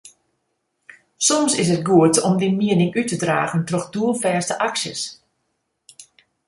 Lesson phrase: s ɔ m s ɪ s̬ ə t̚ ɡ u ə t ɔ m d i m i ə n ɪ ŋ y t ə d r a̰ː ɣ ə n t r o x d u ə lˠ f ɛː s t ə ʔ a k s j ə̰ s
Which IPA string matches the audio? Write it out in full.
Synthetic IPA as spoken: s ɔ m s ɪ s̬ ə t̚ ɡ u ə t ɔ m d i m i ə n ɪ ŋ y t ə d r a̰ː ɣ ə n t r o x d u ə lˠ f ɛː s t ə ʔ a k s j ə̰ s